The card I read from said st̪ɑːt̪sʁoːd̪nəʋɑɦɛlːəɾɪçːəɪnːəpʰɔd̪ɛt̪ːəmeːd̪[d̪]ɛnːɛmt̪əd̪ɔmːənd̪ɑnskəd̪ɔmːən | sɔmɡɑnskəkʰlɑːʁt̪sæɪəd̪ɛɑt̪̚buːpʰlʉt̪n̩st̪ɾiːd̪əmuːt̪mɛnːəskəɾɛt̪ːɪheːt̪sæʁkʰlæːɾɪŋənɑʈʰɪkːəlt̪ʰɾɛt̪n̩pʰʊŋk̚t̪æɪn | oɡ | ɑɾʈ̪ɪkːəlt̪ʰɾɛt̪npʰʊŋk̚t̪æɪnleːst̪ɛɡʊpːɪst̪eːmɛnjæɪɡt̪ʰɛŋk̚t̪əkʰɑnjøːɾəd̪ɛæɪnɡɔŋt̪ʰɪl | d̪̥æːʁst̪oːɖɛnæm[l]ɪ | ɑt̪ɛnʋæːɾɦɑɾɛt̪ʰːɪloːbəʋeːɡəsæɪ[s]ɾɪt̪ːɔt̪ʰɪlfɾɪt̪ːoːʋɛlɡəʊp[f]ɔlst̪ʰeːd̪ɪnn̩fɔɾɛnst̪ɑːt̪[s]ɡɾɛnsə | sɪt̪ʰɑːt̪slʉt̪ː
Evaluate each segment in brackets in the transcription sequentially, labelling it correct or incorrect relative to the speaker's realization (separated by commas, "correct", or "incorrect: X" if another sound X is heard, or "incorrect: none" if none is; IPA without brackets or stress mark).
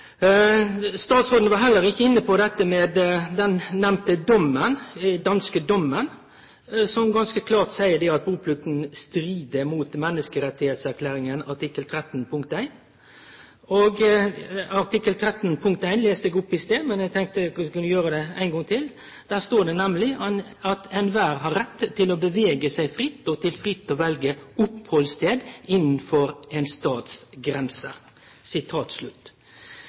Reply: correct, correct, incorrect: f, incorrect: h, correct